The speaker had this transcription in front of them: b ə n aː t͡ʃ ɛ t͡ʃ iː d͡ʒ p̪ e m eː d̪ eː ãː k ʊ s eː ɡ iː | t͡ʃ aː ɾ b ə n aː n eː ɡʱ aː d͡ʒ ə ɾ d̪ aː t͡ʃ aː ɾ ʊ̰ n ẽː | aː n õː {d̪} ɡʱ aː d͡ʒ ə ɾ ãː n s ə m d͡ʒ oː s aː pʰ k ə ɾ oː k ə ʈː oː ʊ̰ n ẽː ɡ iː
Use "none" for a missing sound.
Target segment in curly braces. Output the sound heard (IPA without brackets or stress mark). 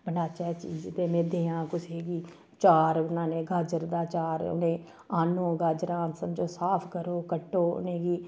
none